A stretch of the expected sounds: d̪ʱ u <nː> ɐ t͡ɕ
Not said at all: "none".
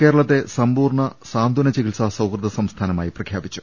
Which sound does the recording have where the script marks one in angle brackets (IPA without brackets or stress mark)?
n